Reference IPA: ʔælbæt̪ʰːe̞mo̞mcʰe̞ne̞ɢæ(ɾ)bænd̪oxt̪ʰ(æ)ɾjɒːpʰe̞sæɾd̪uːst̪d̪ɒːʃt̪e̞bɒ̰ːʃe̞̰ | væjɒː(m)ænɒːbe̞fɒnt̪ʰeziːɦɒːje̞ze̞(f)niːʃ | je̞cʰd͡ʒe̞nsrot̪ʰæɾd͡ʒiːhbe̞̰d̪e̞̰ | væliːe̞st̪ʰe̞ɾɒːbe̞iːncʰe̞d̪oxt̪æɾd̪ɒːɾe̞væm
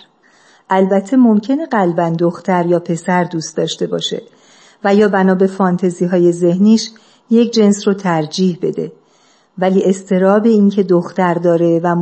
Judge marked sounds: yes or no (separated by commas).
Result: no, yes, no, no